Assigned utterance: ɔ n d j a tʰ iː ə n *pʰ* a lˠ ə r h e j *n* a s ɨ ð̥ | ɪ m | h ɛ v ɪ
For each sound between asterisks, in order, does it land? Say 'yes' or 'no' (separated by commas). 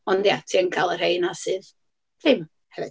no, yes